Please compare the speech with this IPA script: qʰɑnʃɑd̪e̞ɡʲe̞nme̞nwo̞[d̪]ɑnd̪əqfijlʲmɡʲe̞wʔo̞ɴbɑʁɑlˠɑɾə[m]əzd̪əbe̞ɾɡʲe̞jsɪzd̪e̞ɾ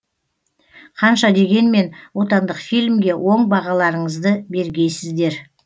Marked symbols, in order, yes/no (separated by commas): no, no